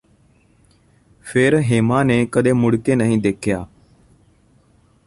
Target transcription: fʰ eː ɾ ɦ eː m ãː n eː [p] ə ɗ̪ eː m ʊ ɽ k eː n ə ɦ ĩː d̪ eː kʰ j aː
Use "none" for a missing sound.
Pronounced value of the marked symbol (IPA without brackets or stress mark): k